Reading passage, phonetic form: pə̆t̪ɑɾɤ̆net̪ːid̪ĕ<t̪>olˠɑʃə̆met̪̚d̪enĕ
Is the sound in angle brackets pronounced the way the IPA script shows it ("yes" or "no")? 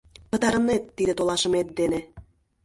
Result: yes